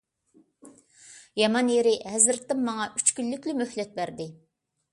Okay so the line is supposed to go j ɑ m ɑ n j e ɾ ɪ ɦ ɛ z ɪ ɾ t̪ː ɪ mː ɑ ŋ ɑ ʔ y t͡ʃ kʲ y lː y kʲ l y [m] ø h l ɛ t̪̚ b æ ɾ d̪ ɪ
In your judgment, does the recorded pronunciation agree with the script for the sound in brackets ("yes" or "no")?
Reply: yes